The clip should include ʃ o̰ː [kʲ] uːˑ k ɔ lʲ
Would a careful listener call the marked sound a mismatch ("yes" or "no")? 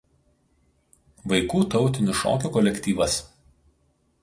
no